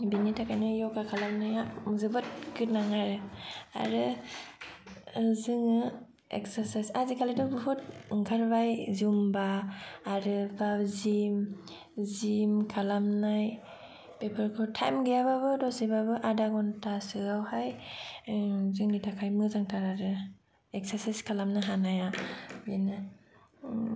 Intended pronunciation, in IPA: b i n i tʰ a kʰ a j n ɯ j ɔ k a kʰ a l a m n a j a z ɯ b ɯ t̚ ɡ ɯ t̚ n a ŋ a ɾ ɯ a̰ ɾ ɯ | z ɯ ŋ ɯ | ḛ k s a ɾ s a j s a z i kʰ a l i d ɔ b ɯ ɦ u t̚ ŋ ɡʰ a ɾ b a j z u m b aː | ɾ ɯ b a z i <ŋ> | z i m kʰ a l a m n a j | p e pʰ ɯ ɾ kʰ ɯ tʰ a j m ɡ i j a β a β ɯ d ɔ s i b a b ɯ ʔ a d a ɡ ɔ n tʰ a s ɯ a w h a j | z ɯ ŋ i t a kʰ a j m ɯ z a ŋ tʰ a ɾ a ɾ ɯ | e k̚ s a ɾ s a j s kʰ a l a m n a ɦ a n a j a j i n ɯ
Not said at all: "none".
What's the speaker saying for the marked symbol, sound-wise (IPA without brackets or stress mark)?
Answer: m